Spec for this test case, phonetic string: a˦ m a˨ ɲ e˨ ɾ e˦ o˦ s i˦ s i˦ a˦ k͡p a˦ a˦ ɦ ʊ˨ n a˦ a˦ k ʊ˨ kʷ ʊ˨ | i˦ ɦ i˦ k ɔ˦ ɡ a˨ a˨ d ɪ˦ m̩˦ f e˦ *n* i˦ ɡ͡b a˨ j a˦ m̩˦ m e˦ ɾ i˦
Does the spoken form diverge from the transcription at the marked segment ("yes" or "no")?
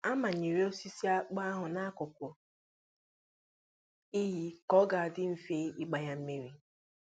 yes